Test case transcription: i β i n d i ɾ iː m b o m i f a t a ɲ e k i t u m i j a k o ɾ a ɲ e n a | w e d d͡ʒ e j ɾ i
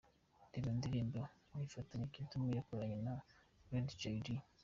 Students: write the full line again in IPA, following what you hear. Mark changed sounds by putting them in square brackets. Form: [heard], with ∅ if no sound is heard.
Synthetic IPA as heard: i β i n d i ɾ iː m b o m i f a t a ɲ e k i t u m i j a k o ɾ a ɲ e n a | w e d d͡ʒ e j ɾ i